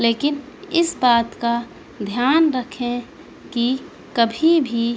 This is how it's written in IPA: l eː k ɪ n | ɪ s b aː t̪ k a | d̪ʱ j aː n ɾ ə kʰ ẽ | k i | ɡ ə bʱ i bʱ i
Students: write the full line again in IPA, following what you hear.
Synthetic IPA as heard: l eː k ɪ n | ɪ s b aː t̪ k a | d̪ʱ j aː n ɾ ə kʰ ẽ | k i | k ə bʱ i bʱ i